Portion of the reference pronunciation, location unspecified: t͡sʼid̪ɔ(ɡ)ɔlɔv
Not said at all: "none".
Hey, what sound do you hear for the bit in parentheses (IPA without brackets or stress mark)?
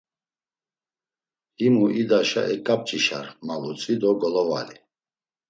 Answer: ɡ